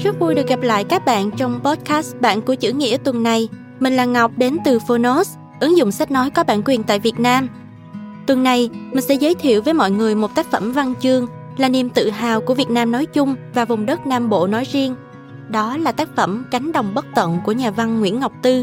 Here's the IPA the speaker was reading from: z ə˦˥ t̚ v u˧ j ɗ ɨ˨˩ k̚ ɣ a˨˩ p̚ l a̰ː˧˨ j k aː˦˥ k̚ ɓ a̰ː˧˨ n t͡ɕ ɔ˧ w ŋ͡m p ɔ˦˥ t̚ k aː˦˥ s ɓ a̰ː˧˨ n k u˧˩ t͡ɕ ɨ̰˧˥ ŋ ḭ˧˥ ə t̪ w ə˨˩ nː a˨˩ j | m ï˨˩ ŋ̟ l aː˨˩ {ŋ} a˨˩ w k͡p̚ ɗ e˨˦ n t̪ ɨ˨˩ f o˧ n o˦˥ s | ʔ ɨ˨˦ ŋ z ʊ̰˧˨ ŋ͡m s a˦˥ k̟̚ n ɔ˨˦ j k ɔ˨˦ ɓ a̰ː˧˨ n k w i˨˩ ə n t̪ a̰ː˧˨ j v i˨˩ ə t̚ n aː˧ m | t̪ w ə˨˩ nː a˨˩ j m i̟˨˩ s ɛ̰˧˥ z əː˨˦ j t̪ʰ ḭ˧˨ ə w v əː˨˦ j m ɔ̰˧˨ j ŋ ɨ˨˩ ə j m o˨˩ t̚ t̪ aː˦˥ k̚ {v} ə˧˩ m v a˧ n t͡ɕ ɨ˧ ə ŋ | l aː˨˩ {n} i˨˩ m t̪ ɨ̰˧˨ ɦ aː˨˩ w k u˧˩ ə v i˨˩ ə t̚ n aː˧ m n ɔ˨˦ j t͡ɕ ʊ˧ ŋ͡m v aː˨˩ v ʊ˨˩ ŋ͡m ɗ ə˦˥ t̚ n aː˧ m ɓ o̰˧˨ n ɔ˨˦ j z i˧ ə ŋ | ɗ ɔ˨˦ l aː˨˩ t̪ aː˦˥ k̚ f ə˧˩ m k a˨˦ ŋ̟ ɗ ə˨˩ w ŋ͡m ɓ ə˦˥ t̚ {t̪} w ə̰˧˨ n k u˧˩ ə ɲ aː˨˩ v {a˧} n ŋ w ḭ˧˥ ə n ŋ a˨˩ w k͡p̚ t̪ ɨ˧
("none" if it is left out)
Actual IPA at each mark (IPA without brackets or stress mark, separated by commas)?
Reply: ŋ, f, n, t̪, a˧